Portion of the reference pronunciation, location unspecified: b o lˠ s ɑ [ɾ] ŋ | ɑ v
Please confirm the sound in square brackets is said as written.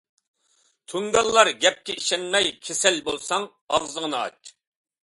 no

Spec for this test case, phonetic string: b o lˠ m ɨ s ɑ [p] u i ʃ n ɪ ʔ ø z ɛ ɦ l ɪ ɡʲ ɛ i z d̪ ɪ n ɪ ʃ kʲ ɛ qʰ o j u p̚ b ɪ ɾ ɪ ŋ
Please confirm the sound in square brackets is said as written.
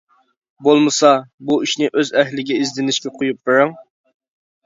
no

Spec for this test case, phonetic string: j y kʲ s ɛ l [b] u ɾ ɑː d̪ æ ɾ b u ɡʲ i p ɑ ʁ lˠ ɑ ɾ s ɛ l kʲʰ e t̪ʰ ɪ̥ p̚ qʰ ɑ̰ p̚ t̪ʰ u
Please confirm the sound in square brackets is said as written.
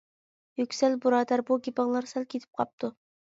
yes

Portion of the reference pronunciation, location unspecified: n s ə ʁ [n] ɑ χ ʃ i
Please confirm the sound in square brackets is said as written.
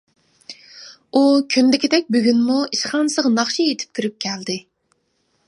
yes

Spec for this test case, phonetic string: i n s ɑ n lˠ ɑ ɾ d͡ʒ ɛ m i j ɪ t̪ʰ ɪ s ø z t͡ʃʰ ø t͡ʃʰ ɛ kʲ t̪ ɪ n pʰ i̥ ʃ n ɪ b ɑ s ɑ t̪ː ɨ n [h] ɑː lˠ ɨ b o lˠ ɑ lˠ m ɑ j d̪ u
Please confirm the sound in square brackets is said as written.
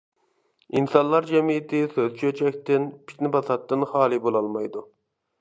no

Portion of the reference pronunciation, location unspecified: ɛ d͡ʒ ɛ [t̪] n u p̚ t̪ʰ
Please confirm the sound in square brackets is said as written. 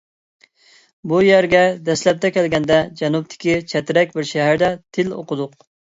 no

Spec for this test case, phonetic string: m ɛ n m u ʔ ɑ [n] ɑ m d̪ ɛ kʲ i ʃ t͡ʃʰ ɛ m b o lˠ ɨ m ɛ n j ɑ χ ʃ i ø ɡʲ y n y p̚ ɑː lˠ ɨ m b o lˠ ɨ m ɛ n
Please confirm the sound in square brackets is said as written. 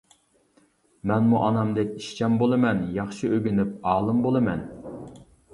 yes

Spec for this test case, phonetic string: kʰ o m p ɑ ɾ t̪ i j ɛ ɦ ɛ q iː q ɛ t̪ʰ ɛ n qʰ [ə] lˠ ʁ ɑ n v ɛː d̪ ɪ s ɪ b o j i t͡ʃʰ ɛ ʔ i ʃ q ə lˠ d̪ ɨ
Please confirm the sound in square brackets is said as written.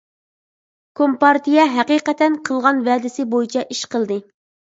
yes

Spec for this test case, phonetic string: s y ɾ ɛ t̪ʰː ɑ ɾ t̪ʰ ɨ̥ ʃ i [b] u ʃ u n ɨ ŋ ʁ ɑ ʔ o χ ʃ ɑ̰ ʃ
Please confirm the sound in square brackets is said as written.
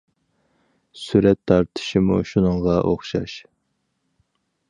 no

